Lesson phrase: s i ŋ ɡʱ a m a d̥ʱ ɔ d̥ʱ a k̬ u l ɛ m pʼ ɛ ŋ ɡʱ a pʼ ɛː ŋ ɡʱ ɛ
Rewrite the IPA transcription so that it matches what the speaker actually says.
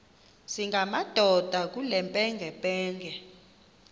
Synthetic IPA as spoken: s i ŋ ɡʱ a m a d̥ʱ ɔ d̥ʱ a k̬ u l ɛ m pʼ ɛ ŋ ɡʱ ɛ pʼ ɛː ŋ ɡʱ ɛ